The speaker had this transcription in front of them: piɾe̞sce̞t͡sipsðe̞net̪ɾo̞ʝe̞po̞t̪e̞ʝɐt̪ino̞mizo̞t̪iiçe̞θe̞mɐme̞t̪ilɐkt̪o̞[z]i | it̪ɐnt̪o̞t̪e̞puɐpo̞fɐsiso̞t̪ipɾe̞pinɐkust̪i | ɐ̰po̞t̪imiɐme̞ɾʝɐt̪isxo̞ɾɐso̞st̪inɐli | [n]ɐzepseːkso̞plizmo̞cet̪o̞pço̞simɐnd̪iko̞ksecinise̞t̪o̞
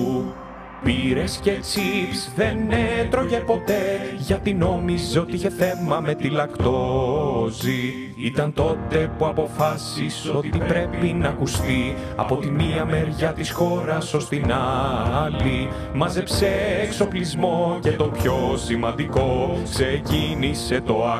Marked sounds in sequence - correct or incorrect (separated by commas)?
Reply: correct, incorrect